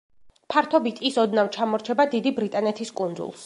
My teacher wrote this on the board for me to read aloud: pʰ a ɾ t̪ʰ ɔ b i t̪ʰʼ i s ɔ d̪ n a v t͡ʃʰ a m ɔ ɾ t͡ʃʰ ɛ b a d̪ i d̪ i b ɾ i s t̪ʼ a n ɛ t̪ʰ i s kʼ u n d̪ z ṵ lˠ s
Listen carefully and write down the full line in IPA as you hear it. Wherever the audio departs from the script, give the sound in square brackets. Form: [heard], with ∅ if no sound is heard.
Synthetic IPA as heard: pʰ a ɾ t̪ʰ ɔ b i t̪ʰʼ i s ɔ d̪ n a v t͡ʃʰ a m ɔ ɾ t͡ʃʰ ɛ b a d̪ i d̪ i b ɾ i [∅] t̪ʼ a n ɛ t̪ʰ i s kʼ u n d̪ z ṵ lˠ s